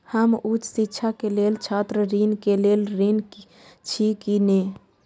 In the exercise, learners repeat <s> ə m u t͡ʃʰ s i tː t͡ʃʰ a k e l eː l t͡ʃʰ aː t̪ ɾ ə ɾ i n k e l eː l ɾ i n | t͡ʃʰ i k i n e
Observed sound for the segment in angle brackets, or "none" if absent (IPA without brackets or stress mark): h